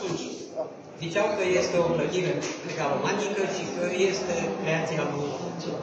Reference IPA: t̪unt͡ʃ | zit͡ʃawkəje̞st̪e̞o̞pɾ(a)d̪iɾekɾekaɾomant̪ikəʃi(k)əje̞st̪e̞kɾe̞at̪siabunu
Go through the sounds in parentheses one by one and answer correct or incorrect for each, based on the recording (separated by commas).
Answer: incorrect, correct